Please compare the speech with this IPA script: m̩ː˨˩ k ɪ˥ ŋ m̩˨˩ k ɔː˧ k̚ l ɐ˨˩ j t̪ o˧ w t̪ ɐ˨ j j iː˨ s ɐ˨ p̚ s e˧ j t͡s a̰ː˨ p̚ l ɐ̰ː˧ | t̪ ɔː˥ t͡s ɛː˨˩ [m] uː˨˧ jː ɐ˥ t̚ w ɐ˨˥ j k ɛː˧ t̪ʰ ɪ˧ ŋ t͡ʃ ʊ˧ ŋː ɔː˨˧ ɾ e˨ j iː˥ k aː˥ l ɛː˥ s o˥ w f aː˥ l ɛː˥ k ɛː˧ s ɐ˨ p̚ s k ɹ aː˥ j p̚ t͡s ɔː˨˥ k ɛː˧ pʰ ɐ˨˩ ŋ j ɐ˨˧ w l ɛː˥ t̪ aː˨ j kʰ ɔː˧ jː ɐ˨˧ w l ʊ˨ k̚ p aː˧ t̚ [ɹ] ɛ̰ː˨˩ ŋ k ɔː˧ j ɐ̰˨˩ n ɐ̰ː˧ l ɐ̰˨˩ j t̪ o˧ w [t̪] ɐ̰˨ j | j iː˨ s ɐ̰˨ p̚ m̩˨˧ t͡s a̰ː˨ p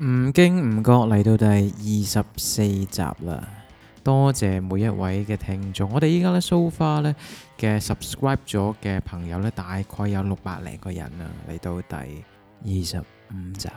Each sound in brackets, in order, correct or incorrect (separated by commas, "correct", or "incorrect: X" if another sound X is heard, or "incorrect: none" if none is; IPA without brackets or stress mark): correct, incorrect: l, correct